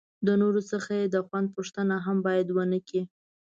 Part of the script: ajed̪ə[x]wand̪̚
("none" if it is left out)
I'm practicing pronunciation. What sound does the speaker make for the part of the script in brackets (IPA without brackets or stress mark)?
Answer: x